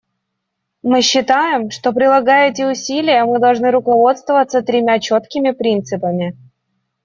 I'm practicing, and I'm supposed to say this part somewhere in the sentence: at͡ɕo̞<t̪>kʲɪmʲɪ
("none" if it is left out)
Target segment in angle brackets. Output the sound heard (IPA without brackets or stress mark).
t̪